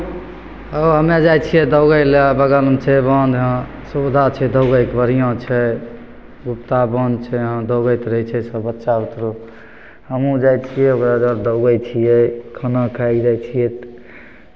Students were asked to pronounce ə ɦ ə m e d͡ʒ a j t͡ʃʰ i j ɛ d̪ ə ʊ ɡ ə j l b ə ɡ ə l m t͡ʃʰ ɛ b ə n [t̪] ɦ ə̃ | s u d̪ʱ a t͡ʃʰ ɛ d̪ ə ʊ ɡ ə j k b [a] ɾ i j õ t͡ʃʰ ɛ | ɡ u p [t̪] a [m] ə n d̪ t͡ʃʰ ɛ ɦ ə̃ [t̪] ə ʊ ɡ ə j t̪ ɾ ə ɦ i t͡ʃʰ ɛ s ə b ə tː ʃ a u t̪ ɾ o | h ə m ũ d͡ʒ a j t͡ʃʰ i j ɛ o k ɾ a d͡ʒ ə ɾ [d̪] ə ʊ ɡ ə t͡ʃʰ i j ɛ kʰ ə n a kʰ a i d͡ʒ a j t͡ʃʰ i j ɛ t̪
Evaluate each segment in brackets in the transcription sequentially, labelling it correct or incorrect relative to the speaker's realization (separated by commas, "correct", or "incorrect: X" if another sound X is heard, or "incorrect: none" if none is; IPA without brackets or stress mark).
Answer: incorrect: d̪, incorrect: ə, correct, incorrect: b, incorrect: d̪, correct